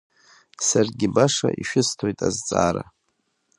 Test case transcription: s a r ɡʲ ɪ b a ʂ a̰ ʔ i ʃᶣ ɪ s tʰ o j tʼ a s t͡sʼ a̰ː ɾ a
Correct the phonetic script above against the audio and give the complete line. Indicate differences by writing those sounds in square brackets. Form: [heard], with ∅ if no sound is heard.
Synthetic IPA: s a r ɡʲ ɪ b a ʂ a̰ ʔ i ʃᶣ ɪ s tʰ o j tʼ a [z] t͡sʼ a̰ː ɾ a